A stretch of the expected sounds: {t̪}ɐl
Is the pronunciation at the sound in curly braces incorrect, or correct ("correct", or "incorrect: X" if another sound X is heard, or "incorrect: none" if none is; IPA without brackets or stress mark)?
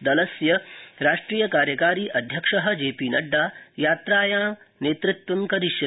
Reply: incorrect: d̪